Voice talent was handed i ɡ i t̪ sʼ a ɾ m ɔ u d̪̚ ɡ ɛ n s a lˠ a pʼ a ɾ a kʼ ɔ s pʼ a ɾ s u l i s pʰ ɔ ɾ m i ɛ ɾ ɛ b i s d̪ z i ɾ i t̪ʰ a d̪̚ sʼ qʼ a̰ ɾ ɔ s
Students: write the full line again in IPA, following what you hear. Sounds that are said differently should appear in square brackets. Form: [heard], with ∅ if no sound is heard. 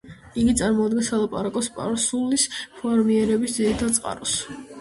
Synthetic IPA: i ɡ i t̪ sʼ a ɾ m ɔ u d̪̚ ɡ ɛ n s a lˠ a pʼ a ɾ a kʼ ɔ s pʼ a ɾ s u l i s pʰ ɔ ɾ m i ɛ ɾ ɛ b i s d̪ z i ɾ i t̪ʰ a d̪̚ sʼ qʼ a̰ ɾ ɔ s